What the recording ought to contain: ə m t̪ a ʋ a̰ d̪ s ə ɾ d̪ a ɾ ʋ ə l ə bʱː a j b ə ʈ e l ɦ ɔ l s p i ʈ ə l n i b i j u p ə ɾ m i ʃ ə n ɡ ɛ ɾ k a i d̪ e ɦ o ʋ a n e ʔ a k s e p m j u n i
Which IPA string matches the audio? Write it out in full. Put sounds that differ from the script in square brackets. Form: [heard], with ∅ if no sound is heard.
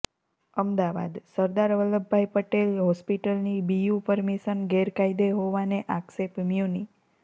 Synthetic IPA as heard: ə m [d̪] a ʋ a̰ d̪ s ə ɾ d̪ a ɾ ʋ ə l ə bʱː a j [p] ə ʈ e l ɦ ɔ [∅] s p i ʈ ə l n i b i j u p ə ɾ m i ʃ ə n ɡ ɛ ɾ k a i d̪ e ɦ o ʋ a n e ʔ a k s e p m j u n i